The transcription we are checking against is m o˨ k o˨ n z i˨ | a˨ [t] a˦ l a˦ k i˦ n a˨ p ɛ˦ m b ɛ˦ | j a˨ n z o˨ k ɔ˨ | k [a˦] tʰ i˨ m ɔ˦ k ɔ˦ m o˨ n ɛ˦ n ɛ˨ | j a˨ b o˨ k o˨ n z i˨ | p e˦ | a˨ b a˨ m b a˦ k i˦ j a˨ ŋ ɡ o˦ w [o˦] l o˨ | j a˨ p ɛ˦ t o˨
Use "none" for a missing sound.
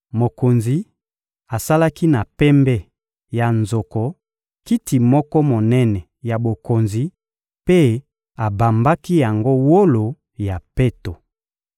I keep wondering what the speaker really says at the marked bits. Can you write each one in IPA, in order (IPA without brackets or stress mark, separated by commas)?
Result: s, i˦, o˦